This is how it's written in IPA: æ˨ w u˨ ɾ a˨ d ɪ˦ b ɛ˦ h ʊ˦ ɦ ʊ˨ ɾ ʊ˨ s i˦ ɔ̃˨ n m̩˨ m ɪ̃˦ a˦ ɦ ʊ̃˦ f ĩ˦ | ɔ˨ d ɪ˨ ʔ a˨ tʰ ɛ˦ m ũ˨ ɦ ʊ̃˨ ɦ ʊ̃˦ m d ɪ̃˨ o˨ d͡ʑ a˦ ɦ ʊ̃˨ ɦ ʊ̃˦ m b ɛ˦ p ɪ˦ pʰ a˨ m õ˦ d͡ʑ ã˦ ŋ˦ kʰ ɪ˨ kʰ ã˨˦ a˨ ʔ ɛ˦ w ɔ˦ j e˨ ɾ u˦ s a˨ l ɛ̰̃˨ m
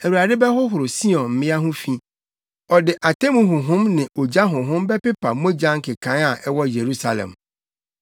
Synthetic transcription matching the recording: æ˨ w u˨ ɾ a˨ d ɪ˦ b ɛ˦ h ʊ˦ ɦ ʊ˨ ɾ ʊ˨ s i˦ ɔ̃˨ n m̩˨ m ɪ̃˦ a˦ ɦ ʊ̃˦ f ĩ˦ | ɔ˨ d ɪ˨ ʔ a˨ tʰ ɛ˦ m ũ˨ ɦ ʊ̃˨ ɦ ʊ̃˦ m n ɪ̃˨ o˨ d͡ʑ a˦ ɦ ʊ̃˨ ɦ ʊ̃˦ m b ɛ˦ p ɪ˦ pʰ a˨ m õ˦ d͡ʑ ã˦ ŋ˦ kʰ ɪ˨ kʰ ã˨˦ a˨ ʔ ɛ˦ w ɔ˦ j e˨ ɾ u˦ s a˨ l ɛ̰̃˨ m